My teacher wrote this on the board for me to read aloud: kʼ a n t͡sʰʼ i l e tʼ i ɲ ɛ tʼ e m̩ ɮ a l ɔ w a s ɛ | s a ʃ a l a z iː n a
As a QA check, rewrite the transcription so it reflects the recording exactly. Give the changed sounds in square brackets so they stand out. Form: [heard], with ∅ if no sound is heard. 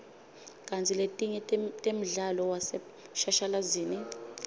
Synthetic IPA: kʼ a n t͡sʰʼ i l e tʼ i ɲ ɛ tʼ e m̩ ɮ a l ɔ w a s ɛ | [ʃ] a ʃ a l a z iː n [i]